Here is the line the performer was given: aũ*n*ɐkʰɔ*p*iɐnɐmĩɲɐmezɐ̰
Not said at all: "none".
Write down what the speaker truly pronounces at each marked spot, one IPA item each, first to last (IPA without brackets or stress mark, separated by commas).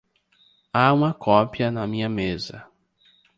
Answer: m, p